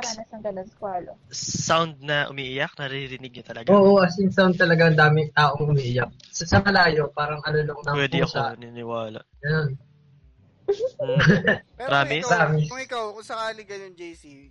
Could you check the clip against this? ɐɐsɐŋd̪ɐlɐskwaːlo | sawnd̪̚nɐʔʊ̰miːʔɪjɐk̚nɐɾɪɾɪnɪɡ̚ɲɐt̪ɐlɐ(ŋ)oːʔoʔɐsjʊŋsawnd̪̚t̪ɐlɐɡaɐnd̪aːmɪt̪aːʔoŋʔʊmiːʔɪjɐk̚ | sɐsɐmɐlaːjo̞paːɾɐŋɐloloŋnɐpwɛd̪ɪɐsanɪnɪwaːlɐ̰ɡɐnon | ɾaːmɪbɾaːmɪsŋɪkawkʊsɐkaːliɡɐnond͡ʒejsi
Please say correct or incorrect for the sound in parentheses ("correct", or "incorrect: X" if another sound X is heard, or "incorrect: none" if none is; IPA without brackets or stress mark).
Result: incorrect: ɡ